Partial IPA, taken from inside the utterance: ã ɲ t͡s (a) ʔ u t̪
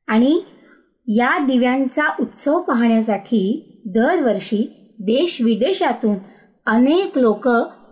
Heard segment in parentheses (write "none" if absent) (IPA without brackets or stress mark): a